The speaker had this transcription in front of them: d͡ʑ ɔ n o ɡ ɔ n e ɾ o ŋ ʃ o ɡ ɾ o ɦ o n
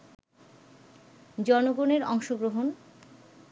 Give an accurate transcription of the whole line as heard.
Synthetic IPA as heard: d͡ʑ ɔ n o ɡ o n e ɾ ɔ ŋ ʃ o ɡ ɾ o ɦ o n